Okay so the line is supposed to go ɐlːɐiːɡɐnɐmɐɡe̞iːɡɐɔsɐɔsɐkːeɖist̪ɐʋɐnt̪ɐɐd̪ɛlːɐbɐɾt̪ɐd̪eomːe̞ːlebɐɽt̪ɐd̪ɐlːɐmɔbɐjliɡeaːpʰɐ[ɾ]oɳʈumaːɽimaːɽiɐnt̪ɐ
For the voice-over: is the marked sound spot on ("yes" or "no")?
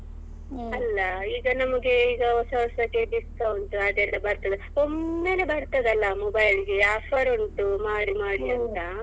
yes